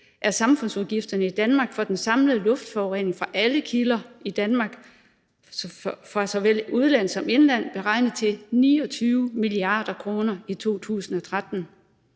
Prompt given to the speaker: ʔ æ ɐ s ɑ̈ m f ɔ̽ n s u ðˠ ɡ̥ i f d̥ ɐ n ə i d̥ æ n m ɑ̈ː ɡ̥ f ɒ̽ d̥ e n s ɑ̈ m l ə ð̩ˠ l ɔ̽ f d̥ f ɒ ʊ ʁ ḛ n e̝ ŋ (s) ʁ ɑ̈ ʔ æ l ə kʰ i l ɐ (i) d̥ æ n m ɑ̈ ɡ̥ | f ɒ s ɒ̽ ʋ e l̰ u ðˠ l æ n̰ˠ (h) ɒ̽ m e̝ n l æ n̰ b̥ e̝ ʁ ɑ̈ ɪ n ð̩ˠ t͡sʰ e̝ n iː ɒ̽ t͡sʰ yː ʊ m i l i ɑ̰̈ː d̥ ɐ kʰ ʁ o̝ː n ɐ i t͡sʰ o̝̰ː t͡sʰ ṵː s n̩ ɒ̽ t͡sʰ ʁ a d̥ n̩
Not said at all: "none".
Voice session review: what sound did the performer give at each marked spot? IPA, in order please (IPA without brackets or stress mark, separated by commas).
f, i, s